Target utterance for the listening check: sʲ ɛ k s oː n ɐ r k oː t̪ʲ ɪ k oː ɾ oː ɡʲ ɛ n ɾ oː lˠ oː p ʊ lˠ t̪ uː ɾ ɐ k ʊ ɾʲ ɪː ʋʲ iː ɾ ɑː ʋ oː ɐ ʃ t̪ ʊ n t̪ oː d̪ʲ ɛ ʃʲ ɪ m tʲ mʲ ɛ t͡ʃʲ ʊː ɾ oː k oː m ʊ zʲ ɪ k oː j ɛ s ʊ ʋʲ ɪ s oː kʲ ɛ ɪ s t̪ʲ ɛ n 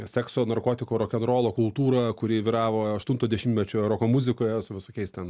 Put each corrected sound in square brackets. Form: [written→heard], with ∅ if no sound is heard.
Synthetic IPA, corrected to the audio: sʲ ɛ k s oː n ɐ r k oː t̪ʲ ɪ k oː ɾ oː [ɡʲ→kʲ] ɛ n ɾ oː lˠ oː [p→k] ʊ lˠ t̪ uː ɾ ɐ k ʊ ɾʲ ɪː ʋʲ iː ɾ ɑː ʋ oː ɐ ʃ t̪ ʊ n t̪ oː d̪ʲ ɛ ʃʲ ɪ m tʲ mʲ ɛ t͡ʃʲ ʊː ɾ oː k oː m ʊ zʲ ɪ k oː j ɛ s ʊ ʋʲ ɪ s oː kʲ ɛ ɪ s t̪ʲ ɛ n